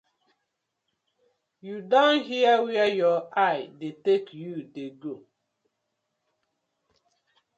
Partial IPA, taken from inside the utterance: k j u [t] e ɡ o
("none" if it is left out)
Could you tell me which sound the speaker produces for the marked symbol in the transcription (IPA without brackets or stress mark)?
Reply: d